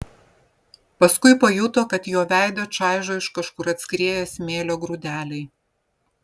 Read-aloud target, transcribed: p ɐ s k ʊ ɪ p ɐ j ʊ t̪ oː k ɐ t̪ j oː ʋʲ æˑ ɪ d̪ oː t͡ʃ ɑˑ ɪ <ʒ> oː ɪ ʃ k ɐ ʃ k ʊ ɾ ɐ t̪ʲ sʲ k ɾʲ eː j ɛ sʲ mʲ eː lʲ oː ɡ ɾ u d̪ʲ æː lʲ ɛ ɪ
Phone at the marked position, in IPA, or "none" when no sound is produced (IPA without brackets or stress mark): ʒ